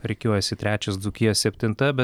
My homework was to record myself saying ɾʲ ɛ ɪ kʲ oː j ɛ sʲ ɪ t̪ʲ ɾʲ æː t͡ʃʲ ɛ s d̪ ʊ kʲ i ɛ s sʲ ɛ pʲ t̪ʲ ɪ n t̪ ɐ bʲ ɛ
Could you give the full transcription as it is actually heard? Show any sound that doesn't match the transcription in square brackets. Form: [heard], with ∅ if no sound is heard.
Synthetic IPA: ɾʲ ɛ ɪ kʲ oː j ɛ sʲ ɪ t̪ʲ ɾʲ æː t͡ʃʲ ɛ s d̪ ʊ kʲ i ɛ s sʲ ɛ pʲ t̪ʲ ɪ n t̪ ɐ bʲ ɛ

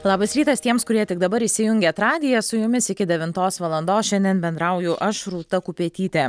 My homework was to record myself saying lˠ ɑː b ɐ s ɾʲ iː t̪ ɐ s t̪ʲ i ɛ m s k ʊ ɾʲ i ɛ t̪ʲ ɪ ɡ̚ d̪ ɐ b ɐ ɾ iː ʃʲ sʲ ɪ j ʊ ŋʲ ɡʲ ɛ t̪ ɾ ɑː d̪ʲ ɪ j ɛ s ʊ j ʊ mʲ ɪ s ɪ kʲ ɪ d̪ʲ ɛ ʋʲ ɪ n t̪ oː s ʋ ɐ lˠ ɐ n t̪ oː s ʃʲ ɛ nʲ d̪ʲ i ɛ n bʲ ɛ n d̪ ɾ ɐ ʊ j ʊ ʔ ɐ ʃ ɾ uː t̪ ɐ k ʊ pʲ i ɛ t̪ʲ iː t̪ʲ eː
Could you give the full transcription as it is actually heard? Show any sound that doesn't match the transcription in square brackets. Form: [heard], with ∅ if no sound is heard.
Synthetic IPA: lˠ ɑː b ɐ s ɾʲ iː t̪ ɐ s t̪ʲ i ɛ m s k ʊ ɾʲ i ɛ t̪ʲ ɪ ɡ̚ d̪ ɐ b ɐ ɾ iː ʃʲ sʲ ɪ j ʊ ŋʲ ɡʲ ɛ t̪ ɾ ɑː d̪ʲ ɪ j ɛ s ʊ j ʊ mʲ ɪ s ɪ kʲ ɪ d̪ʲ ɛ ʋʲ ɪ n t̪ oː s ʋ ɐ lˠ ɐ n [d̪] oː s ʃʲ ɛ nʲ d̪ʲ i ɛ n bʲ ɛ n d̪ ɾ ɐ ʊ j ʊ ʔ ɐ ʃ ɾ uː t̪ ɐ k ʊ pʲ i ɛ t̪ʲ iː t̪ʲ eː

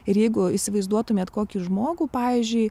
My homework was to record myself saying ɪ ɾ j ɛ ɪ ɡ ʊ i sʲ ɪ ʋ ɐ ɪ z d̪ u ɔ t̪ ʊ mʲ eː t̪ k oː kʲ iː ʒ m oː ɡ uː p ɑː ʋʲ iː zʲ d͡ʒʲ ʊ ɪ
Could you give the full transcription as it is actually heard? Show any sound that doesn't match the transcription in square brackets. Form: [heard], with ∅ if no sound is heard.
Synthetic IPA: ɪ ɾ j ɛ ɪ ɡ ʊ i sʲ ɪ ʋ ɐ ɪ z d̪ u ɔ t̪ ʊ mʲ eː t̪ k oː kʲ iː ʒ m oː ɡ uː p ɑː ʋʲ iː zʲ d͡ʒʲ ʊ ɪ

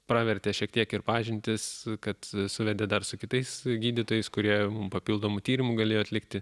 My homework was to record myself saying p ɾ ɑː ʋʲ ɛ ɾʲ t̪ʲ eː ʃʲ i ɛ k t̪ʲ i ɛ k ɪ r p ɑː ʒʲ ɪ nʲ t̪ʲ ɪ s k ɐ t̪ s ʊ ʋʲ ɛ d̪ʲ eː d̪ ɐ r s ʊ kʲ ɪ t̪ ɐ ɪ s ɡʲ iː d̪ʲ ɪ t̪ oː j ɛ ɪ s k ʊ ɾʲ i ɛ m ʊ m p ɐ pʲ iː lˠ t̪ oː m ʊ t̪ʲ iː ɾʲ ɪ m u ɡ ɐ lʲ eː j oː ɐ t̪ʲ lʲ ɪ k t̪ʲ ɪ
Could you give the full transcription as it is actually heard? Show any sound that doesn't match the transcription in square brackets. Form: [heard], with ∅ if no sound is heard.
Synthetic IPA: p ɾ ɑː ʋʲ ɛ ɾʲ t̪ʲ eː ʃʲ i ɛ k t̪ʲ i ɛ k ɪ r p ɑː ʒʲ ɪ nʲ t̪ʲ ɪ s k ɐ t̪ s ʊ ʋʲ ɛ d̪ʲ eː d̪ ɐ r s ʊ kʲ ɪ t̪ ɐ ɪ s ɡʲ iː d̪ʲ ɪ t̪ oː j ɛ ɪ s k ʊ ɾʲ i ɛ m ʊ m p ɐ pʲ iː lˠ [d̪] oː m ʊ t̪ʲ iː ɾʲ ɪ m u ɡ ɐ lʲ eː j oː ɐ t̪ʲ lʲ ɪ k t̪ʲ ɪ

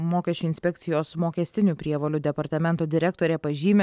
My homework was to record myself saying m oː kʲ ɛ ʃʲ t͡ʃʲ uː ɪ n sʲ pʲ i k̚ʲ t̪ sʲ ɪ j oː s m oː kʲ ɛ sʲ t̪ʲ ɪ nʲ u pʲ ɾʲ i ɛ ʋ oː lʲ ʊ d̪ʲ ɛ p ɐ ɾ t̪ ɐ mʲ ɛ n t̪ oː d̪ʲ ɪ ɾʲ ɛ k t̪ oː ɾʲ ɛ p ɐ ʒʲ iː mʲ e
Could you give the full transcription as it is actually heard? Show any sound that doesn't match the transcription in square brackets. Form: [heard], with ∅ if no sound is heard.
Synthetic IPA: m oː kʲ ɛ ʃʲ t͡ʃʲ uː ɪ n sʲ pʲ [ɛ] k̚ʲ t̪ sʲ ɪ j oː s m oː kʲ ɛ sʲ t̪ʲ ɪ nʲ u pʲ ɾʲ i ɛ ʋ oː lʲ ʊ d̪ʲ ɛ p ɐ ɾ t̪ ɐ mʲ ɛ n t̪ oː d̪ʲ ɪ ɾʲ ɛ k t̪ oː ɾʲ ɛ p ɐ ʒʲ iː mʲ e

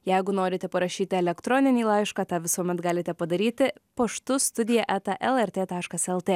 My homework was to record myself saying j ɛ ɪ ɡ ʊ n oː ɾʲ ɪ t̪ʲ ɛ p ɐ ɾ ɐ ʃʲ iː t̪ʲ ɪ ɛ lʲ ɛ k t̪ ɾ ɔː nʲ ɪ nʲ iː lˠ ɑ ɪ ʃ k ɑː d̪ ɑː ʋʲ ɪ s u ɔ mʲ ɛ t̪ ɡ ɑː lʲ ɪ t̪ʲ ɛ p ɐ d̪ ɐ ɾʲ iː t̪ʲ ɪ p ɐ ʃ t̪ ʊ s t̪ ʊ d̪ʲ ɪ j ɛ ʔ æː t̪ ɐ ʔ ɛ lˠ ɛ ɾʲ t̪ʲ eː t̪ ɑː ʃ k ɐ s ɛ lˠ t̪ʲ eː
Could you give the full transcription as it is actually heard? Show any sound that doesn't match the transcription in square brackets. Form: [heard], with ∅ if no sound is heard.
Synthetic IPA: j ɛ ɪ ɡ ʊ n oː ɾʲ ɪ t̪ʲ ɛ p ɐ ɾ ɐ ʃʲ iː t̪ʲ ɪ ɛ lʲ ɛ k t̪ ɾ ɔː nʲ ɪ nʲ iː lˠ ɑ ɪ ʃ k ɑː [t̪] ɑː ʋʲ ɪ s u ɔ mʲ ɛ t̪ ɡ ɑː lʲ ɪ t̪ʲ ɛ p ɐ d̪ ɐ ɾʲ iː t̪ʲ ɪ p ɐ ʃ t̪ ʊ s t̪ ʊ d̪ʲ ɪ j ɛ ʔ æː t̪ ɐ ʔ ɛ lˠ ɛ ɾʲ t̪ʲ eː t̪ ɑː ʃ k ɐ s ɛ lˠ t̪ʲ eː

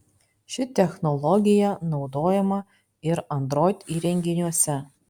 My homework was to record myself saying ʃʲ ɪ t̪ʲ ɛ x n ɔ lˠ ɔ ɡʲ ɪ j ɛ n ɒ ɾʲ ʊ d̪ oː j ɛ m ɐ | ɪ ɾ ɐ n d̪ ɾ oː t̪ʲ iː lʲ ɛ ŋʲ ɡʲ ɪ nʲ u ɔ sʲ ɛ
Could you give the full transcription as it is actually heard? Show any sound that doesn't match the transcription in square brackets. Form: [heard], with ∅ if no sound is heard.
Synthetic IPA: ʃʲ ɪ t̪ʲ ɛ x n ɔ lˠ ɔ ɡʲ ɪ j ɛ n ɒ [∅] ʊ d̪ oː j ɛ m ɐ | ɪ ɾ ɐ n d̪ ɾ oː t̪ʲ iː [ɾʲ] ɛ ŋʲ ɡʲ ɪ nʲ u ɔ sʲ ɛ

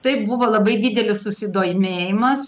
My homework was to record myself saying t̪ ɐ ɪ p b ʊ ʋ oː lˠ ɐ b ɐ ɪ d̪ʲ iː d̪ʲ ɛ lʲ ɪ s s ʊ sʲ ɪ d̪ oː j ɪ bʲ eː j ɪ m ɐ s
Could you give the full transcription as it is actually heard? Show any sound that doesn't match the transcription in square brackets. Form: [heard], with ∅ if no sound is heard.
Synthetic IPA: t̪ ɐ ɪ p b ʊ ʋ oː lˠ ɐ b ɐ ɪ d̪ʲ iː d̪ʲ ɛ lʲ ɪ s s ʊ sʲ ɪ d̪ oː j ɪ [mʲ] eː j ɪ m ɐ s

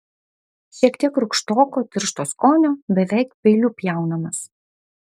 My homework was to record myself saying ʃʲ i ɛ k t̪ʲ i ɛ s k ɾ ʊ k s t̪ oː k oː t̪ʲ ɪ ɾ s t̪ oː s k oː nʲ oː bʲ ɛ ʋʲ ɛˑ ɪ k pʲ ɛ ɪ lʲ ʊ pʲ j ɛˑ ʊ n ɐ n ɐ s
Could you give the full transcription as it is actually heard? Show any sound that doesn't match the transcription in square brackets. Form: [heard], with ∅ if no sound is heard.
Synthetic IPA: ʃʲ i ɛ k t̪ʲ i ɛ [∅] k ɾ ʊ k [ʃ] t̪ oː k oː t̪ʲ ɪ ɾ [ʃ] t̪ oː s k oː nʲ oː bʲ ɛ ʋʲ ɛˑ ɪ k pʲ ɛ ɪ lʲ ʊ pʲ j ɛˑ ʊ n ɐ [m] ɐ s

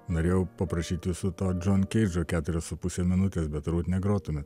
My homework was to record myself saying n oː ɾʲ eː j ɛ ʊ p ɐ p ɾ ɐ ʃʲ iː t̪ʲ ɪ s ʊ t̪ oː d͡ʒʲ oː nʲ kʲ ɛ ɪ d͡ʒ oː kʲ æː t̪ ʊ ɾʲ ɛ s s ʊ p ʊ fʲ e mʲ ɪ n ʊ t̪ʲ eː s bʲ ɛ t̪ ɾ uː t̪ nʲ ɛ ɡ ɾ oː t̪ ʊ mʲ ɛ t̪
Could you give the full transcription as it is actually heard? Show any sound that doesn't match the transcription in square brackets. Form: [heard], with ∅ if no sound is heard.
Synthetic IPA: n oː ɾʲ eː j ɛ ʊ p ɐ p ɾ ɐ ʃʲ iː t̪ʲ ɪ s ʊ t̪ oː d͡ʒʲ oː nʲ kʲ ɛ ɪ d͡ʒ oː kʲ æː t̪ ʊ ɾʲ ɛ s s ʊ p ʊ [sʲ] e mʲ ɪ n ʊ t̪ʲ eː s bʲ ɛ t̪ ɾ uː t̪ nʲ ɛ ɡ ɾ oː t̪ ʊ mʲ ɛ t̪

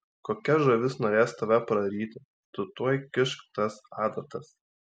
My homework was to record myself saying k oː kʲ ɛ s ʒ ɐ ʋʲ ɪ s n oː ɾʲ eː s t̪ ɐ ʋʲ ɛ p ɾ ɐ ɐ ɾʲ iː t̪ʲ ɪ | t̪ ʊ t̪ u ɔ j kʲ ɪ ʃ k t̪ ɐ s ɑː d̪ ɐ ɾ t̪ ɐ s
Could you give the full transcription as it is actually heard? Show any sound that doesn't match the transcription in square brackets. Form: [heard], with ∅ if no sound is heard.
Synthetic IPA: k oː kʲ ɛ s ʒ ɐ ʋʲ ɪ s n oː ɾʲ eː s t̪ ɐ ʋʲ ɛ p ɾ ɐ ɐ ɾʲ iː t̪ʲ ɪ | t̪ ʊ t̪ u ɔ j kʲ ɪ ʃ k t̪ ɐ s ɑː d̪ ɐ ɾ t̪ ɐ s

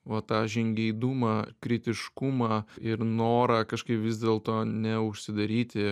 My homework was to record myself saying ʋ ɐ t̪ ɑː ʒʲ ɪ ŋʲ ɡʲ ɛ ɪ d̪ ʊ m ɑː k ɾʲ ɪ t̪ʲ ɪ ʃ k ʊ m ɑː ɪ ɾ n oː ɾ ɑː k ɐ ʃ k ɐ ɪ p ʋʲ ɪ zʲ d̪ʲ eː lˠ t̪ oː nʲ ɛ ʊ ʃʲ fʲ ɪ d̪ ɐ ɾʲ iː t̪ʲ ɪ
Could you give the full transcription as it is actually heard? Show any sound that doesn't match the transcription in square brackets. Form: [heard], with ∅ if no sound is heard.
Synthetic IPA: ʋ ɐ t̪ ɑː ʒʲ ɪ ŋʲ ɡʲ ɛ ɪ d̪ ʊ m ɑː k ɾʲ ɪ t̪ʲ ɪ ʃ k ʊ m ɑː ɪ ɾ n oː ɾ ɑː k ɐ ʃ k ɐ ɪ p ʋʲ ɪ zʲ d̪ʲ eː lˠ t̪ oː nʲ ɛ ʊ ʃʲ [sʲ] ɪ d̪ ɐ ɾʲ iː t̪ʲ ɪ

